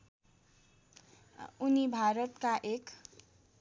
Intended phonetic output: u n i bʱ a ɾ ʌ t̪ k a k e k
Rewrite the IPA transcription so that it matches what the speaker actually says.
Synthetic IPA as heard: u n i bʱ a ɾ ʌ t̪ k a ʔ e k